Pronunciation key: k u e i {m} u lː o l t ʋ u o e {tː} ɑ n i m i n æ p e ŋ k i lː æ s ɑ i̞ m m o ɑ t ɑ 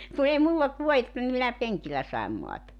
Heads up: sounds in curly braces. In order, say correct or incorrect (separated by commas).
correct, correct